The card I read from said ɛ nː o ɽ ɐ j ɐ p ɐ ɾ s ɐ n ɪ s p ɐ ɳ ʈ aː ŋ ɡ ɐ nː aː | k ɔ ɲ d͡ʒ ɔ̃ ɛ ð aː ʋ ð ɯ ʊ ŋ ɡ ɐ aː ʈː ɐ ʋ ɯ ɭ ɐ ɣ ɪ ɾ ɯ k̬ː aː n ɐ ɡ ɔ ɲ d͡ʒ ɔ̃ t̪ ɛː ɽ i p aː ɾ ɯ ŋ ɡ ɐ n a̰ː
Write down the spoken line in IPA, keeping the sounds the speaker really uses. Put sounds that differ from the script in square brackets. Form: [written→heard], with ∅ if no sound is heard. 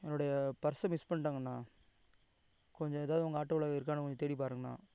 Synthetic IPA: ɛ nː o ɽ ɐ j ɐ p ɐ ɾ s ɐ [n→m] ɪ s p ɐ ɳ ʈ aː ŋ ɡ ɐ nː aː | k ɔ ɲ d͡ʒ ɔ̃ ɛ ð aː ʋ ð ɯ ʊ ŋ ɡ ɐ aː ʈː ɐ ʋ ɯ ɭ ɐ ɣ ɪ ɾ ɯ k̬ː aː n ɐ [ɡ→k] ɔ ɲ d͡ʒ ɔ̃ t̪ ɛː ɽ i p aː ɾ ɯ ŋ ɡ ɐ n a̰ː